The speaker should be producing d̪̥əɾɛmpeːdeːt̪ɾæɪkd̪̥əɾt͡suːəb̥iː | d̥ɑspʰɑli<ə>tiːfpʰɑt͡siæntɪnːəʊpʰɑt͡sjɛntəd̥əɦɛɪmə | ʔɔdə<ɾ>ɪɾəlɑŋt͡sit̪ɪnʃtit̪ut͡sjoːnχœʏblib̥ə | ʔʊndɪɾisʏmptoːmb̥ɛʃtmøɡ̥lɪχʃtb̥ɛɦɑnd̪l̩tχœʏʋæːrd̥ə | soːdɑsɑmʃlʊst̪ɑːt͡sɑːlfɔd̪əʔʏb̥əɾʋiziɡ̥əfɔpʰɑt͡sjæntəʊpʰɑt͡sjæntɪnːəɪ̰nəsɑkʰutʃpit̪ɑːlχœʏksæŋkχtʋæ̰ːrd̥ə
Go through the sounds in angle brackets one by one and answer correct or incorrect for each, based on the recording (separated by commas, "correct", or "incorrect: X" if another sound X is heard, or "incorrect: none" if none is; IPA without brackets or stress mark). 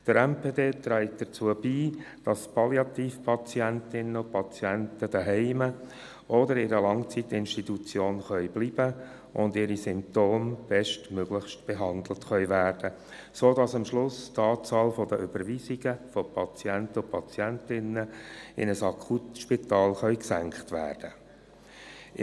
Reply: incorrect: ɑ, correct